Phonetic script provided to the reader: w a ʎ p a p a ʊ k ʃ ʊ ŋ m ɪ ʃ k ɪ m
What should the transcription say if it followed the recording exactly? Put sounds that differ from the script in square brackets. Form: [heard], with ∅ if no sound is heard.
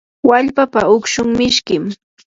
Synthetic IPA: w a ʎ p a p a ʊ k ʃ ʊ ŋ m ɪ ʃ k ɪ m